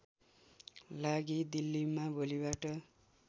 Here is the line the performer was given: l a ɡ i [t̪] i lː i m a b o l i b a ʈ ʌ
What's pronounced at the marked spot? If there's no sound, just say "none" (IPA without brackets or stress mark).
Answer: d̪